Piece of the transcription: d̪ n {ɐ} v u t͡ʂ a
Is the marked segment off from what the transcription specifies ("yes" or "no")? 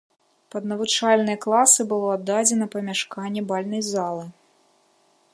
no